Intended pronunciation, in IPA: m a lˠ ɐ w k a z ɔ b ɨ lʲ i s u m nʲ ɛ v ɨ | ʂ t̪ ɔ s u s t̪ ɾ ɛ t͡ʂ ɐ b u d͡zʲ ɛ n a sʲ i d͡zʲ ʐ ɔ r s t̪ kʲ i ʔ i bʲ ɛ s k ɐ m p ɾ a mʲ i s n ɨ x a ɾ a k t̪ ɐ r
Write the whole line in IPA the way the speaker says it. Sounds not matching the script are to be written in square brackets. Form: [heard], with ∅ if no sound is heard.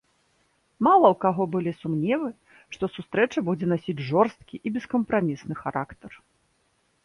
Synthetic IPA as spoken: m a lˠ ɐ w k a [ɣ] ɔ b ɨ lʲ i s u m nʲ ɛ v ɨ | ʂ t̪ ɔ s u s t̪ ɾ ɛ t͡ʂ ɐ b u d͡zʲ ɛ n a sʲ i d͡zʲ ʐ ɔ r s t̪ kʲ i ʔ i bʲ ɛ s k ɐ m p ɾ a mʲ i s n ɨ x a ɾ a k t̪ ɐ r

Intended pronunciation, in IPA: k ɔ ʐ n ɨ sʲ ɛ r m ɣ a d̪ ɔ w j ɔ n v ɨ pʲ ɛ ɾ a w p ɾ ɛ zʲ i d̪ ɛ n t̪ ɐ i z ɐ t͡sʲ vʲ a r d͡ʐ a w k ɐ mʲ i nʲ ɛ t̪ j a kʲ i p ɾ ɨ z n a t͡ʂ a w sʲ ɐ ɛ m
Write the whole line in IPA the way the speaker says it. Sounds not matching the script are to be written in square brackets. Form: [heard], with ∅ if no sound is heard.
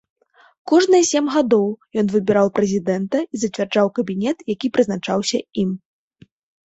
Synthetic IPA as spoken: k ɔ ʐ n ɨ sʲ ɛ [∅] m ɣ a d̪ ɔ w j ɔ n v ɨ [bʲ] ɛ ɾ a w p ɾ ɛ zʲ i d̪ ɛ n t̪ ɐ i z ɐ t͡sʲ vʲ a r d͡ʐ a w k ɐ [bʲ] i nʲ ɛ t̪ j a kʲ i p ɾ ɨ z n a t͡ʂ a w sʲ ɐ [i] m

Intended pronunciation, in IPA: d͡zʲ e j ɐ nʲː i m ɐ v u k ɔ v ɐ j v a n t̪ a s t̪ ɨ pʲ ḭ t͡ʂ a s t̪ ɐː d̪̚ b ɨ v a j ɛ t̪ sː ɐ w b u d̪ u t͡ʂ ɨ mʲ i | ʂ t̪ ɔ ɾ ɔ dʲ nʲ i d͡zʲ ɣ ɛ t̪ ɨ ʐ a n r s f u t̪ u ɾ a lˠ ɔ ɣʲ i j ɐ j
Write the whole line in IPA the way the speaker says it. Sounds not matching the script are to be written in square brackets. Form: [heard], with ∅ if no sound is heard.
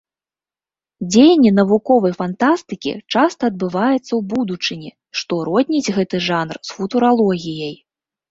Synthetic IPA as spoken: d͡zʲ e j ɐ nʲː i [n] ɐ v u k ɔ v ɐ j [f] a n t̪ a s t̪ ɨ [kʲ] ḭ t͡ʂ a s t̪ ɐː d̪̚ b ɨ v a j ɛ t̪ sː ɐ w b u d̪ u t͡ʂ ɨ [nʲ] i | ʂ t̪ ɔ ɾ ɔ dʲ nʲ i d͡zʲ ɣ ɛ t̪ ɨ ʐ a n r s f u t̪ u ɾ a lˠ ɔ ɣʲ i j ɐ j

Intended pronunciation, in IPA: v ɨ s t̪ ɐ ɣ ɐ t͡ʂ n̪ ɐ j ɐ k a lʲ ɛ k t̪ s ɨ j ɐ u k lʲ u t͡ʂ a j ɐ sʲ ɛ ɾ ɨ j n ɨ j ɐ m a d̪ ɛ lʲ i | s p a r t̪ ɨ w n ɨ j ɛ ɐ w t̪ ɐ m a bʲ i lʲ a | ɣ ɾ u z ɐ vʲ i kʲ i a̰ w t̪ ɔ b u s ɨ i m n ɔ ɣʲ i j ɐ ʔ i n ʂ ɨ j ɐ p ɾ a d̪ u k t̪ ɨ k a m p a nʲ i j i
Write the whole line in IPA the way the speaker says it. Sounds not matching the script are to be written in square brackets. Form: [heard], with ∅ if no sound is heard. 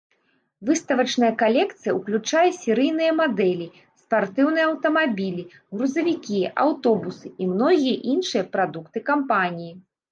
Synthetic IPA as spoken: v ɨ s t̪ ɐ [v] ɐ t͡ʂ n̪ ɐ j ɐ k a lʲ ɛ k t̪ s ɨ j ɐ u k lʲ u t͡ʂ a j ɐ sʲ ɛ ɾ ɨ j n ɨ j ɐ m a d̪ ɛ lʲ i | s p a r t̪ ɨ w n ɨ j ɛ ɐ w t̪ ɐ m a bʲ i lʲ [i] | ɣ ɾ u z ɐ vʲ i kʲ i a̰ w t̪ ɔ b u s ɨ i m n ɔ ɣʲ i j ɐ ʔ i n ʂ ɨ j ɐ p ɾ a d̪ u k t̪ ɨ k a m p a nʲ i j i

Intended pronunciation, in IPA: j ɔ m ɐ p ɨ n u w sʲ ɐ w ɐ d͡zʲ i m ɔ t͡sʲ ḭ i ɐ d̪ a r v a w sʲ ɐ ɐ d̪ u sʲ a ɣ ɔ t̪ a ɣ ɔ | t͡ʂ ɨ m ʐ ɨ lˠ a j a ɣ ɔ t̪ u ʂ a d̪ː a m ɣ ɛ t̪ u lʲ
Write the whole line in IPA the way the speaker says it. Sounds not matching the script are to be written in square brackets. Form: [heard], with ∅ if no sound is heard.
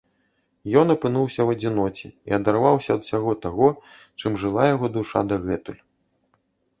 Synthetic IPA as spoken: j ɔ [n] ɐ p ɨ n u w sʲ ɐ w ɐ d͡zʲ i [n] ɔ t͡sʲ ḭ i ɐ d̪ a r v a w sʲ ɐ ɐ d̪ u sʲ a ɣ ɔ t̪ a ɣ ɔ | t͡ʂ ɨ m ʐ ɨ lˠ a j a ɣ ɔ [d̪] u ʂ a [d̪] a [∅] ɣ ɛ t̪ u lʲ

